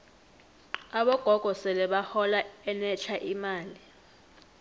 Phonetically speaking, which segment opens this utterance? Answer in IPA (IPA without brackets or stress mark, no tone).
a